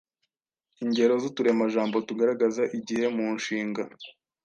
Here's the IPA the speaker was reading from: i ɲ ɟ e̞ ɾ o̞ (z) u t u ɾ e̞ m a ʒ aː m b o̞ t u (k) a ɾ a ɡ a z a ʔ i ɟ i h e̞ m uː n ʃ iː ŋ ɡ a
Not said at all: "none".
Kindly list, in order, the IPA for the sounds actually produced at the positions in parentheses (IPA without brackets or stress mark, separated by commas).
z, ɡ